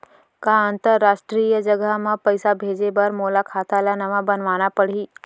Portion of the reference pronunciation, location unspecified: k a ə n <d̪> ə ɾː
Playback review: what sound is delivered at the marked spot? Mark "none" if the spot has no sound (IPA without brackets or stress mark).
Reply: t̪